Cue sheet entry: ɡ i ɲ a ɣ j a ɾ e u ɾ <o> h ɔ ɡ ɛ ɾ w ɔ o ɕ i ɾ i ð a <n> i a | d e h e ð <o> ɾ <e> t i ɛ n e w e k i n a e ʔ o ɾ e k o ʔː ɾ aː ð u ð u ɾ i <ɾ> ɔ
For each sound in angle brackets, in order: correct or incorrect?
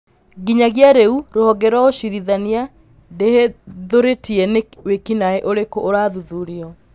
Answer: correct, correct, correct, correct, incorrect: none

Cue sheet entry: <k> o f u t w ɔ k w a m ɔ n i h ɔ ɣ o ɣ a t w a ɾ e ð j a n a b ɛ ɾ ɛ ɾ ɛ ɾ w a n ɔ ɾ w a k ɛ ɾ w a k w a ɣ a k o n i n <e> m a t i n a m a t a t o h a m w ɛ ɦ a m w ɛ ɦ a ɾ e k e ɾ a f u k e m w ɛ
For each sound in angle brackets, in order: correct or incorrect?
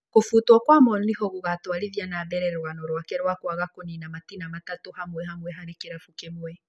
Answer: correct, incorrect: a

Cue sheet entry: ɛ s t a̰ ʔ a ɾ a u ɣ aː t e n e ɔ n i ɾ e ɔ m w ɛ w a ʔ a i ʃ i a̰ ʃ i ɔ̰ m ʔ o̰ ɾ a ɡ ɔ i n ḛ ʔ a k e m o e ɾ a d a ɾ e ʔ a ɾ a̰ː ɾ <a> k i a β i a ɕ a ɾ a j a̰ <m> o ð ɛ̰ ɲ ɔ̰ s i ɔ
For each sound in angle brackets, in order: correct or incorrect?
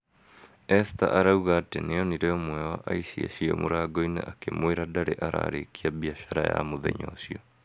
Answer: incorrect: e, correct

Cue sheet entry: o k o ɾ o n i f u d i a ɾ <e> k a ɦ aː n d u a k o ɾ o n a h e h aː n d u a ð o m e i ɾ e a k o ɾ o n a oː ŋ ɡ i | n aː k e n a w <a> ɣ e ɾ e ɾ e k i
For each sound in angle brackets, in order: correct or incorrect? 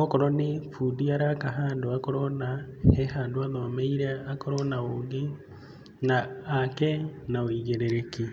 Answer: incorrect: a, incorrect: i

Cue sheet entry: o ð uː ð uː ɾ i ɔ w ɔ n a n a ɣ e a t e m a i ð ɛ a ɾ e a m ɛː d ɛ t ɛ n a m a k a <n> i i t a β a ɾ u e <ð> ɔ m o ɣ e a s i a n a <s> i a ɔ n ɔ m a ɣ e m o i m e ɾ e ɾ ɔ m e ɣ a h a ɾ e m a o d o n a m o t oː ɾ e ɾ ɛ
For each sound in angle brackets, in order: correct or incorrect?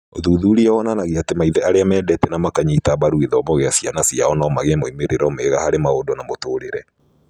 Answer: incorrect: ɲ, correct, correct

